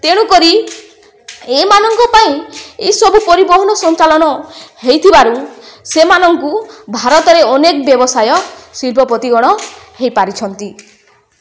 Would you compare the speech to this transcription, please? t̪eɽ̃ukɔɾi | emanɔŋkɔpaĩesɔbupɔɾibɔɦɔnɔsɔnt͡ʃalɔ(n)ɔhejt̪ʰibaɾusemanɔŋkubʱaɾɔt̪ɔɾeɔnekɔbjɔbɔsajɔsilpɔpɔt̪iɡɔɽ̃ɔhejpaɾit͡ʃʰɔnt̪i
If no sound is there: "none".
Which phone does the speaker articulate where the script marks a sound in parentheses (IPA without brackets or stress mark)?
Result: n